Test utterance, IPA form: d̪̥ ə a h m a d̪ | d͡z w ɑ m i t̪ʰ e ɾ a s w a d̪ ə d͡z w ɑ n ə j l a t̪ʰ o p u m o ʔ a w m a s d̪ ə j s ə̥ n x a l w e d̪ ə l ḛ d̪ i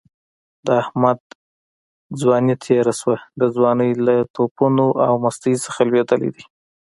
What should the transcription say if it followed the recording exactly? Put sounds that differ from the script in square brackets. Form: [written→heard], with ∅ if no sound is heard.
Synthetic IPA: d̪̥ ə a h m a d̪ | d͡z w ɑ [m→n] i t̪ʰ e ɾ a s w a d̪ ə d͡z w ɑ n ə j l a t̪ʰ o p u [m→n] o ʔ a w m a s [d̪→t̪] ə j s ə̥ [n→∅] x a l w e d̪ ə l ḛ d̪ i

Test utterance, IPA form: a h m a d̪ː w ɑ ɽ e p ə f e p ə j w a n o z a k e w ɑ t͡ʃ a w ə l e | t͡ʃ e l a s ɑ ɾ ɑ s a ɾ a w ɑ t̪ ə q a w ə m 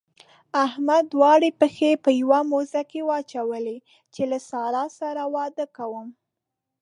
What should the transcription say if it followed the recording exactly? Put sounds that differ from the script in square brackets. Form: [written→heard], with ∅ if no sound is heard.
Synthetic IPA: a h m a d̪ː w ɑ ɽ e p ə [f→x] e p ə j w a [n→m] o z a k e w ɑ t͡ʃ a w ə l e | t͡ʃ e l a s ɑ ɾ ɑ s a ɾ a w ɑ [t̪→d̪] ə [q→k] a w ə m

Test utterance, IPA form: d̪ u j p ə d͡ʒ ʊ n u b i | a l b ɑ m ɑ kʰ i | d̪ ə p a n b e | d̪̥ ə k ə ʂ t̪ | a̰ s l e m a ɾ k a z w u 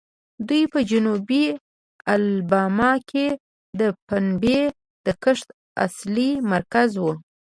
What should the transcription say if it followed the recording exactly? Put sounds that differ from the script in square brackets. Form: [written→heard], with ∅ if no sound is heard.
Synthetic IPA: d̪ u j p ə d͡ʒ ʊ n u b i | a l b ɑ m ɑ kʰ [i→e] | d̪ ə p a n b e | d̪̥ ə k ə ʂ t̪ | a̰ s l [e→i] m a ɾ k a z w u

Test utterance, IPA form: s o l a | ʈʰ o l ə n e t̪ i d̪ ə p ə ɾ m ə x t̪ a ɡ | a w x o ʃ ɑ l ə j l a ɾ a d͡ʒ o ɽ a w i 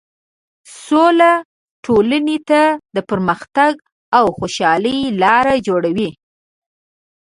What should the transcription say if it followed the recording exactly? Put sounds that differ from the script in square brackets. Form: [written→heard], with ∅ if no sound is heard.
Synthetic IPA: s o l a | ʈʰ o l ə n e t̪ [i→a] d̪ ə p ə ɾ m ə x t̪ a ɡ | a w x o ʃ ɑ l ə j l [a→ɑ] ɾ a d͡ʒ o ɽ a w i

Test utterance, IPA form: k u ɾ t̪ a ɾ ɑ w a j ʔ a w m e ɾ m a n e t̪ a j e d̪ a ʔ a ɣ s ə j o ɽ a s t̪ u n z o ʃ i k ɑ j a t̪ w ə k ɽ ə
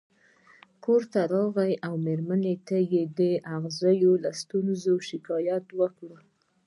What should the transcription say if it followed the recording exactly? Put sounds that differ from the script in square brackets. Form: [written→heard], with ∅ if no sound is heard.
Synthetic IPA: k [u→o] ɾ t̪ a ɾ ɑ [w→ɣ] a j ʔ a w m e ɾ m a n e t̪ a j e d̪ [a→ə] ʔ a ɣ [s→z] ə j o [ɽ→l] a s t̪ u n z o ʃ [i→ɪ] k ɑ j a t̪ w ə k ɽ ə

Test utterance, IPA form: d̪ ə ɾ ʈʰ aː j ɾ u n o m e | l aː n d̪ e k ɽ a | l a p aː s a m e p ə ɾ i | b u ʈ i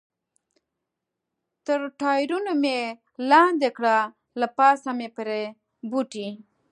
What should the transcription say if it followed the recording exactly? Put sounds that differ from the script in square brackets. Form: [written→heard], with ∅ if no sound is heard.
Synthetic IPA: [d̪→t̪] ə ɾ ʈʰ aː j ɾ u n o m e | l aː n d̪ e k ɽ a | l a p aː s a m e p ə ɾ [i→e] | b u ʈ i

